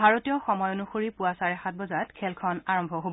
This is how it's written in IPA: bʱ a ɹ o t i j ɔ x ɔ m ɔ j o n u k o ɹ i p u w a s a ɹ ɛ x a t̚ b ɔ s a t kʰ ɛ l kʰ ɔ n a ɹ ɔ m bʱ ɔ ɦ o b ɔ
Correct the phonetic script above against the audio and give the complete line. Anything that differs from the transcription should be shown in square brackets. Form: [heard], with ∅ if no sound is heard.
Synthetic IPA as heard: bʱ a ɹ o t i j ɔ x ɔ m ɔ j o n u [x] o ɹ i p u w a s a ɹ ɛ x a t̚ b ɔ [z] a t kʰ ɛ l kʰ ɔ n a ɹ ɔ m bʱ ɔ ɦ o b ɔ